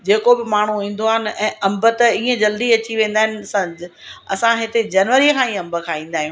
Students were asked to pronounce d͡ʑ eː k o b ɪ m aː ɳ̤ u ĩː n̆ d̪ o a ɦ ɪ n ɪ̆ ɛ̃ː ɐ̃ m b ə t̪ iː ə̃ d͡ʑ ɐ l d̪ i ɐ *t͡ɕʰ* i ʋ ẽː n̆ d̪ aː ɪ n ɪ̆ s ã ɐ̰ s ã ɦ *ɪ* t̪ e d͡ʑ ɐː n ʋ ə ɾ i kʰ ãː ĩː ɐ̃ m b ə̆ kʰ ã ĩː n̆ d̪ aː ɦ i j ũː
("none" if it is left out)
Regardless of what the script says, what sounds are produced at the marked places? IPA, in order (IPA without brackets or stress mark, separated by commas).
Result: t͡ɕ, ɪ